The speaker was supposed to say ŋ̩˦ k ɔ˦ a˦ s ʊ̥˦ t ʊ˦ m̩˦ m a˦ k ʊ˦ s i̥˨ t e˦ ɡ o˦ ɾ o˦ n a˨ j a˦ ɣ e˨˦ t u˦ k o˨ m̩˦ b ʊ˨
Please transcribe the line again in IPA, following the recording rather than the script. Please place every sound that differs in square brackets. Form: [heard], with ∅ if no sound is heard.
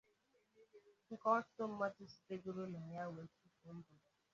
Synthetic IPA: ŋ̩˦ k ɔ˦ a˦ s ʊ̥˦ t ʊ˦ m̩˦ m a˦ [t] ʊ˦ s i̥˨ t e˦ ɡ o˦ ɾ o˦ n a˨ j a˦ [w] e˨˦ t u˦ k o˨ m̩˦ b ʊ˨